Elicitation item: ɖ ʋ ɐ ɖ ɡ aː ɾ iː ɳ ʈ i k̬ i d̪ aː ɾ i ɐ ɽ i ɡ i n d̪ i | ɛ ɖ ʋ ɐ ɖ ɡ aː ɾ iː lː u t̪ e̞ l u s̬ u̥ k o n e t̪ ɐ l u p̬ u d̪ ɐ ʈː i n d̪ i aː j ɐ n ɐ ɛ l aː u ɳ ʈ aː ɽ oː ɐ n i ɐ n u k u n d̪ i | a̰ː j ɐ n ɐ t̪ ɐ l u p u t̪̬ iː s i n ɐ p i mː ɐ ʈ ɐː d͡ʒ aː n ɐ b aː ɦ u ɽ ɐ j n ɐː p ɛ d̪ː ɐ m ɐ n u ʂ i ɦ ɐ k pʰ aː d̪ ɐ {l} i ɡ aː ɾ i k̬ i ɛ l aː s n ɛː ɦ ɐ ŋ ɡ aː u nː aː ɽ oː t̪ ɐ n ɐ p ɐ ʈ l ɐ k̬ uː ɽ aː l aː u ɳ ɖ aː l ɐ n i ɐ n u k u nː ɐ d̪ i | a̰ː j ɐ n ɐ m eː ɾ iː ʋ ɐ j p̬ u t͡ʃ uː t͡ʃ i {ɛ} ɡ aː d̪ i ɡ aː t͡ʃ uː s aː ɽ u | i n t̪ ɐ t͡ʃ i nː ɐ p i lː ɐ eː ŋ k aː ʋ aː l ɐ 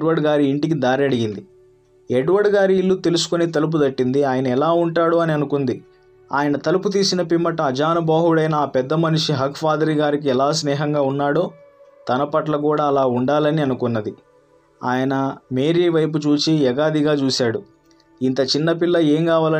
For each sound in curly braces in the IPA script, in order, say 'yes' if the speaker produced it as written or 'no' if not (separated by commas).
no, yes